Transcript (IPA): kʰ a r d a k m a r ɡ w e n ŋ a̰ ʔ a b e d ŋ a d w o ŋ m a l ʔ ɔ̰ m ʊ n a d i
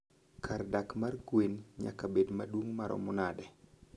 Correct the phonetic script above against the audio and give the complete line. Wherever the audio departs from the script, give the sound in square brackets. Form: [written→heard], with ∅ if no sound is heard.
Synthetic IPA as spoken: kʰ a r d a k m a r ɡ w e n [ŋ→ɲ] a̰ [ʔ→k] a b e d [ŋ→m] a d w o ŋ m a [l→ɾ] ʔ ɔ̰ m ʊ n a d [i→ɛ]